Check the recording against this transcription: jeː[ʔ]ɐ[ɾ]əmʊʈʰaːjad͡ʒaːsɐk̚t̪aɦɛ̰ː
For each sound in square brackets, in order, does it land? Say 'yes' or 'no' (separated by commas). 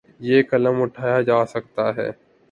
no, no